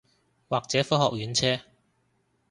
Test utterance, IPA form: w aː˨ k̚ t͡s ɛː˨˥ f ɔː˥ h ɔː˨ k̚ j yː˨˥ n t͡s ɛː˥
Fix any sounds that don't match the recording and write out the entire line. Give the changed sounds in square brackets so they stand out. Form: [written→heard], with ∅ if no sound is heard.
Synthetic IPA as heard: w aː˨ k̚ t͡s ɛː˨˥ f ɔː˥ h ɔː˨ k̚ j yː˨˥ n [t͡s→t͡sʰ] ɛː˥